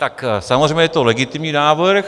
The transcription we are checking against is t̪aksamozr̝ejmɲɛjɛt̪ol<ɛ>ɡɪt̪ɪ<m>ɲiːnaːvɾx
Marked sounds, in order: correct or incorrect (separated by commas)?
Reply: correct, correct